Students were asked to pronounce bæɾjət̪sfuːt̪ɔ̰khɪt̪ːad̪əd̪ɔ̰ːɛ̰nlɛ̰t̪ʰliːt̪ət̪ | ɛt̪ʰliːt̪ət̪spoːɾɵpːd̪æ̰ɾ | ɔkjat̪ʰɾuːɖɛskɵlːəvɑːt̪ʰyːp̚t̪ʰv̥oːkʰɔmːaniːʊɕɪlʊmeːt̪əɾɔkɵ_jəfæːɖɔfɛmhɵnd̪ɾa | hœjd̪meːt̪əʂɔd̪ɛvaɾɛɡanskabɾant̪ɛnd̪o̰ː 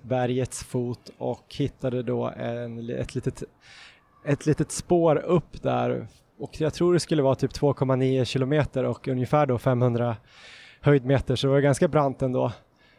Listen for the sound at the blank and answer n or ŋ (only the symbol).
n